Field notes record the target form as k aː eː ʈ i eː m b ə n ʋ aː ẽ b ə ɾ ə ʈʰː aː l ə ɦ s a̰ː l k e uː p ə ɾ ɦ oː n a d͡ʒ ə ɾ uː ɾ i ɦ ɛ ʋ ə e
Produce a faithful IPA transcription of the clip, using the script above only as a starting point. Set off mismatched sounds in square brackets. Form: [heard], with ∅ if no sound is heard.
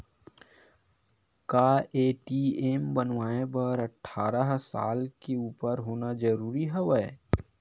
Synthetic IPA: k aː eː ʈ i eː m b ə n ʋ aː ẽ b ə ɾ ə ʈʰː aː [ɾ] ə ɦ s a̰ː l k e uː p ə ɾ ɦ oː n a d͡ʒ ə ɾ uː ɾ i ɦ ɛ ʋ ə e